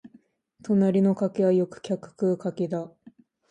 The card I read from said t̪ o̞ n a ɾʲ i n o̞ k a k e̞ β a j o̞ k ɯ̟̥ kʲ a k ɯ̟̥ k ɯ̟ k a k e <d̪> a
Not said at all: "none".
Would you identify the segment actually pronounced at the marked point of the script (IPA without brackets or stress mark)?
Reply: d̪